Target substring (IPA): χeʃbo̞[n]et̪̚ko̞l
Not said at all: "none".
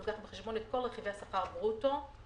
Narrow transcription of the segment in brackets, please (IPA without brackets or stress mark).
n